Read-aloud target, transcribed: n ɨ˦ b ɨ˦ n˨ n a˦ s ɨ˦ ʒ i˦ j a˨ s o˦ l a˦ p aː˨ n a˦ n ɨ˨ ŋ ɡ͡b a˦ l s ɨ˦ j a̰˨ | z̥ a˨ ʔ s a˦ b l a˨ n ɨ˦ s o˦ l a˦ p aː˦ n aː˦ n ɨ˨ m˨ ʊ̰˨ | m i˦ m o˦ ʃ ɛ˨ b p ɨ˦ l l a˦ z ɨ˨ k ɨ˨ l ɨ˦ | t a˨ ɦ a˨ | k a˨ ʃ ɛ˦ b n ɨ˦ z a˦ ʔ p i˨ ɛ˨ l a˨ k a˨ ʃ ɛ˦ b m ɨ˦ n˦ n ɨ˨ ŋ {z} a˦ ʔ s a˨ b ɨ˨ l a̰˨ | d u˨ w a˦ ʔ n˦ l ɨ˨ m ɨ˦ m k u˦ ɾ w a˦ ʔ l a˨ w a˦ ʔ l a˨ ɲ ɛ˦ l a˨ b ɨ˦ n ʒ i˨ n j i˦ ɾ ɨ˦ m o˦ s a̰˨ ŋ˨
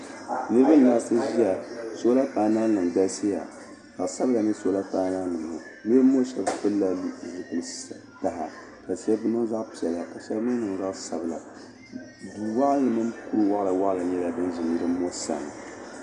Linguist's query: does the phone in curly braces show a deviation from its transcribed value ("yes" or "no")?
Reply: no